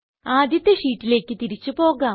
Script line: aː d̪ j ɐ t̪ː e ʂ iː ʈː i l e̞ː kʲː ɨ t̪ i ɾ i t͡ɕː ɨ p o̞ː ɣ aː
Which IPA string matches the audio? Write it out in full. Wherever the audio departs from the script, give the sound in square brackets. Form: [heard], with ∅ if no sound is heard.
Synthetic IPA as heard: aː d̪ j ɐ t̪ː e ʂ iː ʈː i l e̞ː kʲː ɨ t̪ i ɾ i t͡ɕː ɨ p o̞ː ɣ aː